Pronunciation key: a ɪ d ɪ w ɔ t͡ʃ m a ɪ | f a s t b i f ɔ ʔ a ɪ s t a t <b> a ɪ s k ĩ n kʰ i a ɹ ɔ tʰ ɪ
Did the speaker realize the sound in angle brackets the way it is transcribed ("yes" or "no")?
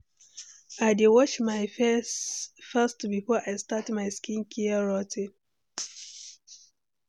no